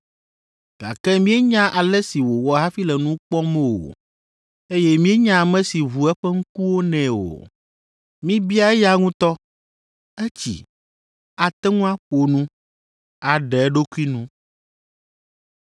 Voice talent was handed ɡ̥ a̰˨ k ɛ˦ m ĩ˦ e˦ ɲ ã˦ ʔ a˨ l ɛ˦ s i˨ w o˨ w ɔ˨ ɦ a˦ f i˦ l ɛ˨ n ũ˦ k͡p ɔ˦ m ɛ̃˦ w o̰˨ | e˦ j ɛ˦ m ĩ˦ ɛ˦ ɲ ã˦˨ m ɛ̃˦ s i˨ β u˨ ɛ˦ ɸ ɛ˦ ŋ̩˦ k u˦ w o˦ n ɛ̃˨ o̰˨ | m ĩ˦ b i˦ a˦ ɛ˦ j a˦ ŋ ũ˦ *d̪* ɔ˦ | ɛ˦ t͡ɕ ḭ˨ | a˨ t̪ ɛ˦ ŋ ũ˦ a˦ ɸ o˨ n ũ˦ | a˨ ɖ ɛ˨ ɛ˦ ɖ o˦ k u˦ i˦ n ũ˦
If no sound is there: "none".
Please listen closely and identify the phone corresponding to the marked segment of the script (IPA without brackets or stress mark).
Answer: t̪